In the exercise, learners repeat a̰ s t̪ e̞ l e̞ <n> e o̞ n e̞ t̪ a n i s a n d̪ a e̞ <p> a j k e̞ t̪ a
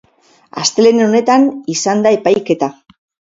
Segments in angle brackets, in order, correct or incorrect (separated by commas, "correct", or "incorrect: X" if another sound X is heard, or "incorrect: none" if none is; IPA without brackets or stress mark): correct, correct